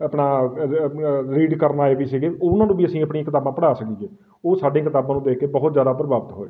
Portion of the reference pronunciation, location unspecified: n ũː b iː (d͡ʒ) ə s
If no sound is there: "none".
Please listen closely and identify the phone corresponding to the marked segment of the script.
none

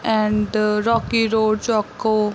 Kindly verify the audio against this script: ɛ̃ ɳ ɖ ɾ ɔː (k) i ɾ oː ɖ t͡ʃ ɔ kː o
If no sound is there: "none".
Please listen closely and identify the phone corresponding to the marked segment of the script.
k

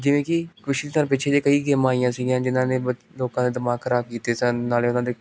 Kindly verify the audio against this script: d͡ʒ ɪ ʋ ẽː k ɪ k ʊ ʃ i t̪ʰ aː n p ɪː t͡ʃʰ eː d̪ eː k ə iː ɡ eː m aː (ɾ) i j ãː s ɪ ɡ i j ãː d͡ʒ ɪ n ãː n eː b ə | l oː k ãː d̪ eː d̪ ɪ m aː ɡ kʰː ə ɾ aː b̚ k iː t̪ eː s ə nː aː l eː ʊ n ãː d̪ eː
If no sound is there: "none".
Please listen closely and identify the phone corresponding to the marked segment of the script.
none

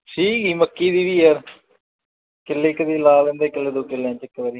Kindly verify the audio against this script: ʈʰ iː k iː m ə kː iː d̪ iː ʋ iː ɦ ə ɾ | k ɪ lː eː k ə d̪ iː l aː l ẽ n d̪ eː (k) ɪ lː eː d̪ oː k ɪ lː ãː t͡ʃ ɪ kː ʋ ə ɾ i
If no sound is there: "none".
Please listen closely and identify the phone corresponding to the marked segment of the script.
k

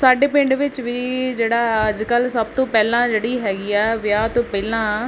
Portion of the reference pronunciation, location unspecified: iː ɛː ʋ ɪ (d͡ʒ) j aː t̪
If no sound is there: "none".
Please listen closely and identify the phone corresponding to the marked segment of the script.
none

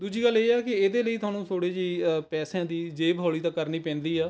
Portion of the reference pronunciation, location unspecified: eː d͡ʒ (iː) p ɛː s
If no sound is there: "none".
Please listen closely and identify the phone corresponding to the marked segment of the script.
iː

